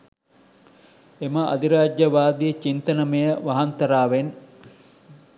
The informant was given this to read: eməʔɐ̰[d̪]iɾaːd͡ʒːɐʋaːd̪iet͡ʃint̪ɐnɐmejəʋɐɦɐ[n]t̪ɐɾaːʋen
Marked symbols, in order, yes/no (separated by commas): yes, yes